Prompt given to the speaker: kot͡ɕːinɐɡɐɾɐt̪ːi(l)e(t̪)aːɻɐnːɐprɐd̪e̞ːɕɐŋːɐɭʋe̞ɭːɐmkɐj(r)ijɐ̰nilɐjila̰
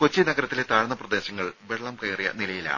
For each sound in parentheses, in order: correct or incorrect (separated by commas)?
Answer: correct, correct, correct